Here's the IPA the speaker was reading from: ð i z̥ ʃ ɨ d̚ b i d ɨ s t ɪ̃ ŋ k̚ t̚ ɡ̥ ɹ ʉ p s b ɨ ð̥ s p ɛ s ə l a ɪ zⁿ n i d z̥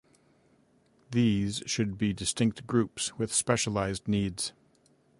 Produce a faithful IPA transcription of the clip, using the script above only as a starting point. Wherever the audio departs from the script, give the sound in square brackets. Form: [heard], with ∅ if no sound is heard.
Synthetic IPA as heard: ð i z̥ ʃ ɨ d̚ b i d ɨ s t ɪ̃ ŋ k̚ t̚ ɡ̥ ɹ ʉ p s [w] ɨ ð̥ s p ɛ [ʃ] ə l a ɪ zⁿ n i d z̥

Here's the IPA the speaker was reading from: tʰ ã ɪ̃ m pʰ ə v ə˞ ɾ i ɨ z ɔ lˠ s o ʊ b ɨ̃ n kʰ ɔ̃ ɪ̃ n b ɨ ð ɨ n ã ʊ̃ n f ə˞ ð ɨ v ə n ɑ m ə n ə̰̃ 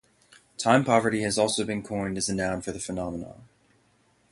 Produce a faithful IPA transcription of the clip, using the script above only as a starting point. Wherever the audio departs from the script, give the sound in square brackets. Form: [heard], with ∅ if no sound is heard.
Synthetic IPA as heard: tʰ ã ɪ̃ m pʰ [ɑ] v ə˞ ɾ i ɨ z ɔ lˠ s o ʊ b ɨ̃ n kʰ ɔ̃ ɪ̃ n [d] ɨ [z] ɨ n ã ʊ̃ n f ə˞ ð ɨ [f] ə n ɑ m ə n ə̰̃

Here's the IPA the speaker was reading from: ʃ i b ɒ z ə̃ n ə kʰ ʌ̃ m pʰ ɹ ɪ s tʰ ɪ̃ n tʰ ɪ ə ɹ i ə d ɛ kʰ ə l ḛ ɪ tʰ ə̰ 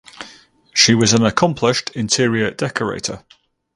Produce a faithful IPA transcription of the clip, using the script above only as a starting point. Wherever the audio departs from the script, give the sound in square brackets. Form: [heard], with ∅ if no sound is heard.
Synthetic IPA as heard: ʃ i [w] ɒ z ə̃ n ə kʰ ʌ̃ m pʰ [l] ɪ [ʃ] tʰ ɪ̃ n tʰ ɪ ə ɹ i ə d ɛ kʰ ə [ɹ] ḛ ɪ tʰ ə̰

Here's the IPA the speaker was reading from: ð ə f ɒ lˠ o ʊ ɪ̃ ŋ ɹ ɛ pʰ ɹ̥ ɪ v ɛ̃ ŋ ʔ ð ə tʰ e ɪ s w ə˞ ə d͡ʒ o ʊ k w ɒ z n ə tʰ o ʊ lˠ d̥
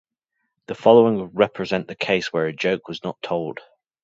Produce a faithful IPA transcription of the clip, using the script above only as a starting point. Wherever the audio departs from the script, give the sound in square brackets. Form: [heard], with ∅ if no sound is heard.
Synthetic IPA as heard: ð ə f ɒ lˠ o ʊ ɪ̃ ŋ ɹ ɛ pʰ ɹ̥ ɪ [z] ɛ̃ [n] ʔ ð ə [kʰ] e ɪ s w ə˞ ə d͡ʒ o ʊ k w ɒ z n ə tʰ o ʊ lˠ d̥

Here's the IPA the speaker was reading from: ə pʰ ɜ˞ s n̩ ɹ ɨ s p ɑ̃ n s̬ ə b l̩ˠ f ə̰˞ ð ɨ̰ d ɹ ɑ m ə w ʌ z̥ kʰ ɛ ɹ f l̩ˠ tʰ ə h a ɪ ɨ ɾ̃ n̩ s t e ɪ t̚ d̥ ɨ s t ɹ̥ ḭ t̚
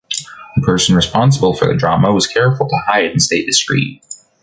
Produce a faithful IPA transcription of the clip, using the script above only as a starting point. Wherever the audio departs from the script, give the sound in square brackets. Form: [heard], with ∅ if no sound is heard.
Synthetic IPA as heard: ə pʰ ɜ˞ s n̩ ɹ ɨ s p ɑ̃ n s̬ ə b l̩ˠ f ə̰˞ ð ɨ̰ d ɹ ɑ m ə w ʌ z̥ kʰ ɛ ɹ f l̩ˠ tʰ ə h a ɪ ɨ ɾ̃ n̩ s t e ɪ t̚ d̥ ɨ s t ɹ̥ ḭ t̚

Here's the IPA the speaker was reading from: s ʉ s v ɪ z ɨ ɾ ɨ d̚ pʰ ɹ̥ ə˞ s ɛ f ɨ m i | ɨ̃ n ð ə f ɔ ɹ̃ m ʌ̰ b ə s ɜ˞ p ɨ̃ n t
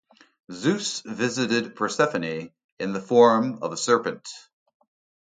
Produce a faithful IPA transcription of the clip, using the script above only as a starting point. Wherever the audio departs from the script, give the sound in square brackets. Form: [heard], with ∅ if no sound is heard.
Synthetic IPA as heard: [z] ʉ s v ɪ z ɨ ɾ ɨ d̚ pʰ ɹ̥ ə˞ s ɛ f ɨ [n] i | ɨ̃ n ð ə f ɔ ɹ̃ m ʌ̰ [v] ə s ɜ˞ p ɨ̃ n t

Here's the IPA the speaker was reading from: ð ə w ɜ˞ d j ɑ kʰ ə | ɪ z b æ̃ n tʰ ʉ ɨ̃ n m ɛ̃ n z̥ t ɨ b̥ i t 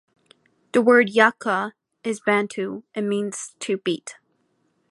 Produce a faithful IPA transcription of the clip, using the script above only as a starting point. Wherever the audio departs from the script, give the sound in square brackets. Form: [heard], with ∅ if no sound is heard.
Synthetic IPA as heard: ð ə w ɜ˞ d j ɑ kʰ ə | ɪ z b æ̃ n tʰ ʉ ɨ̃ n m [ĩ] n z̥ [tʰ] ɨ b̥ i t

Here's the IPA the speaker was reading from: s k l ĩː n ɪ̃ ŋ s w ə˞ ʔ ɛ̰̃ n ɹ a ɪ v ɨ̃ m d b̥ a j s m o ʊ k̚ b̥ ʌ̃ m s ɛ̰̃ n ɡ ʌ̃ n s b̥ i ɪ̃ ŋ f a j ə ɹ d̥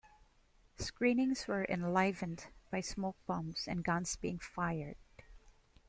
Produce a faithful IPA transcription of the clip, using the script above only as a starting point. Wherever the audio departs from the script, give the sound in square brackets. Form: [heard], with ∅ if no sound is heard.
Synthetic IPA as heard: s k [ɹ] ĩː n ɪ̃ ŋ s w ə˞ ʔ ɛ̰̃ n [l] a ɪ v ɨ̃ [n] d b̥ a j s m o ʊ k̚ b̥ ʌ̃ m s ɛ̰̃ n ɡ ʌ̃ n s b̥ i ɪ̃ ŋ f a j ə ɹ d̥

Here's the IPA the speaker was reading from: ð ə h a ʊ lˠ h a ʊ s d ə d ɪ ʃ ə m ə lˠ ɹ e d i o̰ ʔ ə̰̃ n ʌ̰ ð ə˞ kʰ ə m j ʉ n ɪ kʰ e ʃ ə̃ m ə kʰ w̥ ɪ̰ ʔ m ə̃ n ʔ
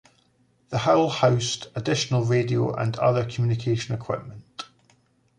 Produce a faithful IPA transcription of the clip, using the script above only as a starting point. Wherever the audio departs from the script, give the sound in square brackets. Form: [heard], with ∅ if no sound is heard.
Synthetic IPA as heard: ð ə h a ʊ lˠ h a ʊ s [t] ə d ɪ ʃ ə [n] ə lˠ ɹ e d i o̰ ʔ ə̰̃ n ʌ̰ ð ə˞ kʰ ə m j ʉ n ɪ kʰ e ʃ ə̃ [n] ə kʰ w̥ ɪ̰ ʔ m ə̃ n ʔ

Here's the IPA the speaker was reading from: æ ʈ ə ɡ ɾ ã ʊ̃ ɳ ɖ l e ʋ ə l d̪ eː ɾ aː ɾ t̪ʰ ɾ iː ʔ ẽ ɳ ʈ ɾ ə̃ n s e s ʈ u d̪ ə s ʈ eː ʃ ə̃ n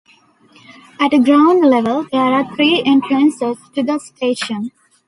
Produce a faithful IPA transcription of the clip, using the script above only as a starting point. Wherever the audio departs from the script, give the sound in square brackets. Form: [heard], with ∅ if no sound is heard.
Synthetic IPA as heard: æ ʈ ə ɡ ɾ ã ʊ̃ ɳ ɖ l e ʋ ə l d̪ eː ɾ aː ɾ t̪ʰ ɾ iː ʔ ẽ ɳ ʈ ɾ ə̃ n s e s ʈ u d̪ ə s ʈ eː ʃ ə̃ n

